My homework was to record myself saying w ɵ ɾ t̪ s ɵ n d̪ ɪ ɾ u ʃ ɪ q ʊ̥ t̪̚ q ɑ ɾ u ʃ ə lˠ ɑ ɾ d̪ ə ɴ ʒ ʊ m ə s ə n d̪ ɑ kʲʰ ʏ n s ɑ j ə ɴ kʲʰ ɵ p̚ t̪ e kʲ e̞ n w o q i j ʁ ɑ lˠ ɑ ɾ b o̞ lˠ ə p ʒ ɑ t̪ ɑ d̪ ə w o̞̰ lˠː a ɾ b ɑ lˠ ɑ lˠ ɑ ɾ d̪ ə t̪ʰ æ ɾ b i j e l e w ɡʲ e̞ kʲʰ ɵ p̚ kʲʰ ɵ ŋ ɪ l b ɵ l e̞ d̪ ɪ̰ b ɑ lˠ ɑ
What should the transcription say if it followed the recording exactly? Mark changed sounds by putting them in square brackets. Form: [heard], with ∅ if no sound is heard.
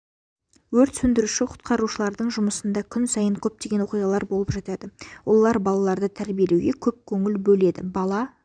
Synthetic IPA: w ɵ ɾ t̪ s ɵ n d̪ ɪ ɾ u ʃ ɪ [qʰ] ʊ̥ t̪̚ q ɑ ɾ u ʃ ə lˠ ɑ ɾ d̪ ə ɴ ʒ ʊ m ə s ə n d̪ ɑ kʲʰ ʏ n s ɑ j ə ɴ kʲʰ ɵ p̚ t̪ e [ɡʲ] e̞ n w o q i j ʁ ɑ lˠ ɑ ɾ b o̞ lˠ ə p ʒ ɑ t̪ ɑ d̪ ə w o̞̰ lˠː [ɑ] ɾ b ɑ lˠ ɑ lˠ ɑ ɾ d̪ ə t̪ʰ æ ɾ b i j e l e w ɡʲ e̞ kʲʰ ɵ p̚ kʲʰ ɵ ŋ ɪ l b ɵ l e̞ d̪ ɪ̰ b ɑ lˠ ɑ